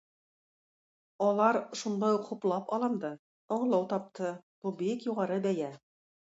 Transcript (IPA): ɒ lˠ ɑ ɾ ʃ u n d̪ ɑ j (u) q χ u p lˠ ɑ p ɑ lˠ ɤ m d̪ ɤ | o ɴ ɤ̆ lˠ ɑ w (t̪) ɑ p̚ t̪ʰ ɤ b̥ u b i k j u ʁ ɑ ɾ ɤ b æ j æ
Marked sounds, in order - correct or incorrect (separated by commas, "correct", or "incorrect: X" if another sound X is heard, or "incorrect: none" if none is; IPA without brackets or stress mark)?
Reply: correct, correct